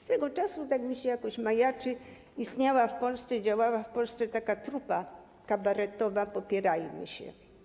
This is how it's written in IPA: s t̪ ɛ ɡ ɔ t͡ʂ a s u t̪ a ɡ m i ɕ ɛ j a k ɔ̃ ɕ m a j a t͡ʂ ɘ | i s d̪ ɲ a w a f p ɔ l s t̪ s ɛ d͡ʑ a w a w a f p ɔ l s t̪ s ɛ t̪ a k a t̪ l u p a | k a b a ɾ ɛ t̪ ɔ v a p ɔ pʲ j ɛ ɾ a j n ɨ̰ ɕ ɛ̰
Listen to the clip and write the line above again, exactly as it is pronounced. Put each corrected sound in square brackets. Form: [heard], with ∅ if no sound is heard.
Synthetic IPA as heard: s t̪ ɛ ɡ ɔ t͡ʂ a s u t̪ a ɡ m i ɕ ɛ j a k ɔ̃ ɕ m a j a t͡ʂ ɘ | i s [t̪] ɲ a w a f p ɔ l s t̪ s ɛ d͡ʑ a w a w a f p ɔ l s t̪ s ɛ t̪ a k a t̪ [ɾ] u p a | k a b a ɾ ɛ t̪ ɔ v a p ɔ pʲ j ɛ ɾ a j [m] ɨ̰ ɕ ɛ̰